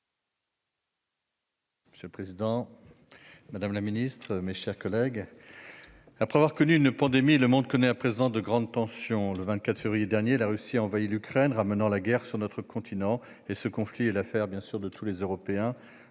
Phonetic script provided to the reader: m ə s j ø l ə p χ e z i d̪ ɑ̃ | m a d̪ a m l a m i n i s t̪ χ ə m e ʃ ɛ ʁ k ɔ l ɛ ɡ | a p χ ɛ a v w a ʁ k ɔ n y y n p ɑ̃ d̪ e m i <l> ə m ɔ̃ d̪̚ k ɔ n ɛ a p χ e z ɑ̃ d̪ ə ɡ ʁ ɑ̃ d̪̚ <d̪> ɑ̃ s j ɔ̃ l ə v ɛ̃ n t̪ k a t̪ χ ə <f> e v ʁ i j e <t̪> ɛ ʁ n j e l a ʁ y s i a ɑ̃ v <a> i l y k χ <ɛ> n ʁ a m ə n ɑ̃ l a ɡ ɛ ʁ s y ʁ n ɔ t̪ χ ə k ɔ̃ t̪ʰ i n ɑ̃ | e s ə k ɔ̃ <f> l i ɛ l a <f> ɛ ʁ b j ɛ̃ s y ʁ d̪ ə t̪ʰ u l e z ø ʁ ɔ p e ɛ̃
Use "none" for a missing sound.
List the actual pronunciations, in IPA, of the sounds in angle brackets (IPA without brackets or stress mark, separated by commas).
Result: l, t̪, f, d̪, a, ɛ, f, f